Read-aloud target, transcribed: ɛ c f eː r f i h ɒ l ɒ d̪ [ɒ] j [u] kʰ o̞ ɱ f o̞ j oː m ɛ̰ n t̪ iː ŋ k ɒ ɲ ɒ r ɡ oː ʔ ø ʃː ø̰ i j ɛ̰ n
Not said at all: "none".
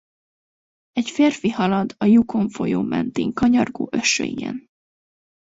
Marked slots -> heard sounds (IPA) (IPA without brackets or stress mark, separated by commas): ɒ, u